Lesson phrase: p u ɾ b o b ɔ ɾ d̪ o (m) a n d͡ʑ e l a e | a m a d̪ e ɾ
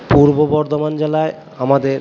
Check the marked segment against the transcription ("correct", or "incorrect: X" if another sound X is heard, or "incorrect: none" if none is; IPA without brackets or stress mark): correct